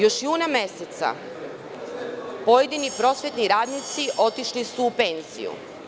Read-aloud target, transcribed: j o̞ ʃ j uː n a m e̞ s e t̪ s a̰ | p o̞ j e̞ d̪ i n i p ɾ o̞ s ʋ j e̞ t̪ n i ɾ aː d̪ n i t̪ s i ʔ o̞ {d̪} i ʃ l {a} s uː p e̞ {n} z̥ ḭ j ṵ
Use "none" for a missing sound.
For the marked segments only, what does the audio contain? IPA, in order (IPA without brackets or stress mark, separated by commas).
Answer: t̪, i, n